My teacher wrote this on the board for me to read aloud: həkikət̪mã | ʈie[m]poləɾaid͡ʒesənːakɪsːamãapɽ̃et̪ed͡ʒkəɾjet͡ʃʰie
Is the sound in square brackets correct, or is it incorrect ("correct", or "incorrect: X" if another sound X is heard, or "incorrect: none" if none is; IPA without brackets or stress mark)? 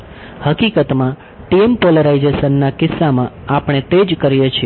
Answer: correct